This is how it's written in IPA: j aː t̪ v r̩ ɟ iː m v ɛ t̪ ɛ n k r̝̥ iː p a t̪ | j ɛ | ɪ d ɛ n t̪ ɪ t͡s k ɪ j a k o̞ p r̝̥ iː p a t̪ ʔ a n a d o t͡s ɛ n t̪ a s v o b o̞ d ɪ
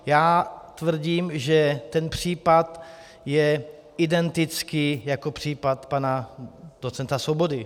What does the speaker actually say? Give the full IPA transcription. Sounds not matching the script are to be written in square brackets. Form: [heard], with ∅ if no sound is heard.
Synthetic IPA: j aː t̪ v r̩ ɟ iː m [ʒ] ɛ t̪ ɛ n [p] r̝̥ iː p a t̪ | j ɛ | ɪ d ɛ n t̪ ɪ t͡s k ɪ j a k o̞ p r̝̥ iː p a t̪ [p] a n a d o t͡s ɛ n t̪ a s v o b o̞ d ɪ